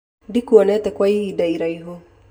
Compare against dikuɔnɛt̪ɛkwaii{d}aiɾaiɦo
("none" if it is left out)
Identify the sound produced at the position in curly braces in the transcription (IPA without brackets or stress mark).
d